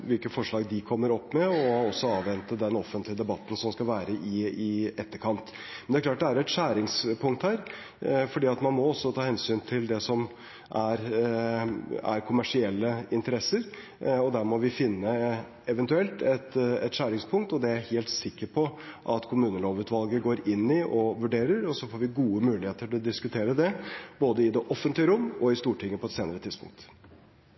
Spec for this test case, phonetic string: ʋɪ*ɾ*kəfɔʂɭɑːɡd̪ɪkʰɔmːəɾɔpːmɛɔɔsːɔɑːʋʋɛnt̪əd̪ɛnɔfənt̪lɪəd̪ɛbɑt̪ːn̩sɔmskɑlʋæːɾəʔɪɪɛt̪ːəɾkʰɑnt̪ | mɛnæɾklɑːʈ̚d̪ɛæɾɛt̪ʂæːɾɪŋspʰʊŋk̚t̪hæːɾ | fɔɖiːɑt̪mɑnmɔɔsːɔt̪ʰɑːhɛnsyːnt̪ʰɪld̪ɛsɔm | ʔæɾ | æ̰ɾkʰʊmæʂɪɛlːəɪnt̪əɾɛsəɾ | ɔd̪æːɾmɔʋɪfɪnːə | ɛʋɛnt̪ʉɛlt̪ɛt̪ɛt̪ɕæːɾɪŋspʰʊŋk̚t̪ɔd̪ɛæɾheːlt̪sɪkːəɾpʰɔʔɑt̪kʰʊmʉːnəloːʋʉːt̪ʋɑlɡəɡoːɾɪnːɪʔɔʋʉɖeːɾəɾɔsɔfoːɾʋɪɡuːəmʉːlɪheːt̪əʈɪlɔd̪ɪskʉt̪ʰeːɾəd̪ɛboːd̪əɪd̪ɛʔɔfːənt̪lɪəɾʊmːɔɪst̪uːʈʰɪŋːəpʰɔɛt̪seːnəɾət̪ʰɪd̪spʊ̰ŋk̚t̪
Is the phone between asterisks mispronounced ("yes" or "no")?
yes